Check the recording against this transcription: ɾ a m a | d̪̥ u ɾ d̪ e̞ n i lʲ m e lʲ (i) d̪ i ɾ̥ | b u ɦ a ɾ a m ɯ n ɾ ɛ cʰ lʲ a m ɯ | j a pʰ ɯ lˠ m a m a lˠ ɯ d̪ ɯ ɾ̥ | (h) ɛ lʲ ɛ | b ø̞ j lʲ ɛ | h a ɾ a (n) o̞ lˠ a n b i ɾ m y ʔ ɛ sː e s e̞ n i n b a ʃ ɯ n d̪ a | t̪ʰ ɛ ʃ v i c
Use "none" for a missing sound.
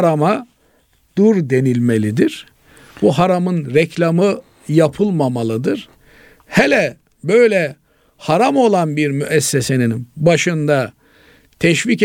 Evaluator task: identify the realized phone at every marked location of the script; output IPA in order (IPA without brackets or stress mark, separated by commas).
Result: i, h, m